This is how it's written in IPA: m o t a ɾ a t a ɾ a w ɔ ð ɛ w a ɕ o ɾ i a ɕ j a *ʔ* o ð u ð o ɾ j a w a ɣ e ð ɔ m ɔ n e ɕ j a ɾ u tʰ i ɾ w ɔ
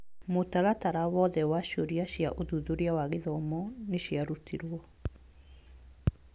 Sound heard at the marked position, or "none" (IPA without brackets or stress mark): ʔ